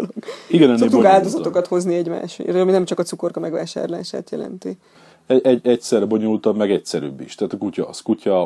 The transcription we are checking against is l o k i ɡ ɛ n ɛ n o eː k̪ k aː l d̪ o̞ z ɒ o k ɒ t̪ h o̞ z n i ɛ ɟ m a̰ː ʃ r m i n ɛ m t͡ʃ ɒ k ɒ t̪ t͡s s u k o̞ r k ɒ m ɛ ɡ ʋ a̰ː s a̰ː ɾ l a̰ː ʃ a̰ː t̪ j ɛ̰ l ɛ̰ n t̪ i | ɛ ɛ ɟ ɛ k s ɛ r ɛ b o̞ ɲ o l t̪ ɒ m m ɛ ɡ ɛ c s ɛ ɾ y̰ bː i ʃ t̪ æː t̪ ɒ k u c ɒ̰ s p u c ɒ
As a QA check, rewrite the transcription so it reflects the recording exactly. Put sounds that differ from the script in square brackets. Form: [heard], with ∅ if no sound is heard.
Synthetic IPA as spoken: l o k i ɡ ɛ n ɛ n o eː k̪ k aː l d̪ o̞ z ɒ o k ɒ t̪ h o̞ z n i ɛ ɟ m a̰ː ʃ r m i n ɛ m t͡ʃ ɒ k ɒ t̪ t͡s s u k o̞ r k ɒ m ɛ ɡ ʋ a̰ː [ʃ] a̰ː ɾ l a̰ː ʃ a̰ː t̪ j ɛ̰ l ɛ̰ n t̪ i | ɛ ɛ ɟ ɛ [c] s ɛ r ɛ b o̞ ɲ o l t̪ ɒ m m ɛ ɡ ɛ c s ɛ ɾ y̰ bː i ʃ t̪ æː t̪ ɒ k u c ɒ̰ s [k] u c ɒ